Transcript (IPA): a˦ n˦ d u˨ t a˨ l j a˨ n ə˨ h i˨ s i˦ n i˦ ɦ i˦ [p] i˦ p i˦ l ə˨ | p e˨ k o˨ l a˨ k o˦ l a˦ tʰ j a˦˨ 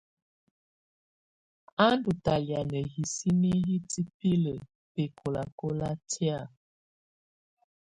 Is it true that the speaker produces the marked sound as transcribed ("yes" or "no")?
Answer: no